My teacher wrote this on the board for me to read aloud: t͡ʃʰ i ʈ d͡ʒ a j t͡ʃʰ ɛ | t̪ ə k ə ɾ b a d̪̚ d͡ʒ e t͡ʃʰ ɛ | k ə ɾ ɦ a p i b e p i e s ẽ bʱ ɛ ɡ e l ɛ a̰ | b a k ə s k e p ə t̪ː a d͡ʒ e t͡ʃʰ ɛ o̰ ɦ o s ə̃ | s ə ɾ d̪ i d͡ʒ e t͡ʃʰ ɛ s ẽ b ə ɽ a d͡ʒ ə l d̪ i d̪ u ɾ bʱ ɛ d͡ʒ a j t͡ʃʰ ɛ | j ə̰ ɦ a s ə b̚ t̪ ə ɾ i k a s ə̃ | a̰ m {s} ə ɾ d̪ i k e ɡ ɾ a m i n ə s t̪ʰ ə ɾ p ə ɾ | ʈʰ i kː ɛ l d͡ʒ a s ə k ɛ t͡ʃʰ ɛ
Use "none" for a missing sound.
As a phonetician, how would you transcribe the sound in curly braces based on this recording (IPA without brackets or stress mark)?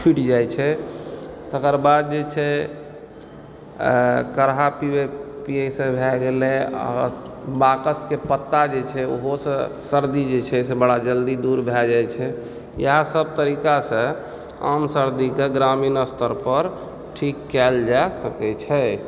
s